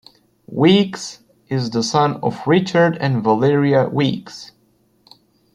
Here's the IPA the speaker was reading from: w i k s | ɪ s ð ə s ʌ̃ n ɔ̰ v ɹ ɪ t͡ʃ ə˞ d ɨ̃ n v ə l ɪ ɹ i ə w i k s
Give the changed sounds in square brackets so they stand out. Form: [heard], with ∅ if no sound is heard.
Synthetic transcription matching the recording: w i k s | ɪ [z] ð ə s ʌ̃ n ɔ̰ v ɹ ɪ t͡ʃ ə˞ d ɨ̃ n v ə l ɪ ɹ i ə w i k s